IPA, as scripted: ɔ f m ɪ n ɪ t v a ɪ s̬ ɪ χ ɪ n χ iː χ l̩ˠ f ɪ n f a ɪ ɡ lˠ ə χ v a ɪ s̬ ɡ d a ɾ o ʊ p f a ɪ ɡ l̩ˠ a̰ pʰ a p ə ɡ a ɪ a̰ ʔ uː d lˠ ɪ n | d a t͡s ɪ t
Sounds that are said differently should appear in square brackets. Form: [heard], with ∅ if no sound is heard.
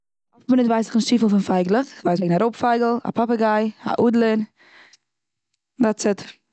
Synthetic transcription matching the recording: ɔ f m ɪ n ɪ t v a ɪ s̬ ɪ χ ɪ n [ʃ] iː [f] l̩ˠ f ɪ n f a ɪ ɡ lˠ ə χ v a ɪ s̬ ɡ [n] a ɾ o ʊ p f a ɪ ɡ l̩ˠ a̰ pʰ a p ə ɡ a ɪ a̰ ʔ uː d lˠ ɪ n | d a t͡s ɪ t